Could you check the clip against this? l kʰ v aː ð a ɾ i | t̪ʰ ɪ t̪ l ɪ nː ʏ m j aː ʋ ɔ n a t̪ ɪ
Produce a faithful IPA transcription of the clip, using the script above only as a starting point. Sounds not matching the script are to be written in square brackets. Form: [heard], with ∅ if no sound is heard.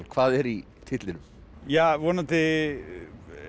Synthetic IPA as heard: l kʰ v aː ð [ɛ] ɾ i | t̪ʰ ɪ t̪ l ɪ [n] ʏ m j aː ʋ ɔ n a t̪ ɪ